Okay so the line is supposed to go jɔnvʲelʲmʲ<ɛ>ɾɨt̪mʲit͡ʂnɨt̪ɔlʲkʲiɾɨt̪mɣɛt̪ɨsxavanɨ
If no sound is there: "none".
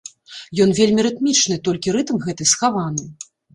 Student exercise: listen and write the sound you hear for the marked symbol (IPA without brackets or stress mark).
i